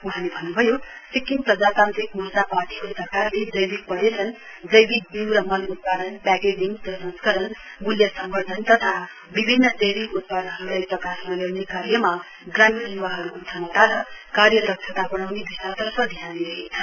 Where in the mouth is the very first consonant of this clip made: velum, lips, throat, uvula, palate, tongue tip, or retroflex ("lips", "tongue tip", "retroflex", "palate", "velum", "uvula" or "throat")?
throat